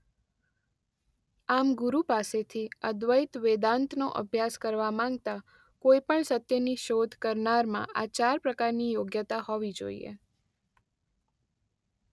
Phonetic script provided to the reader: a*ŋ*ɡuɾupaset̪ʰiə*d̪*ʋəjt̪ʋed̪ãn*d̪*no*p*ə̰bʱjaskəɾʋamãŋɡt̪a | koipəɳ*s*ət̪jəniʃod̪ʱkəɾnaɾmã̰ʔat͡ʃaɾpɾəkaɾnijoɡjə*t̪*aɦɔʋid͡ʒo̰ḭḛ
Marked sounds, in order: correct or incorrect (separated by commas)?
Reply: incorrect, correct, incorrect, incorrect, correct, correct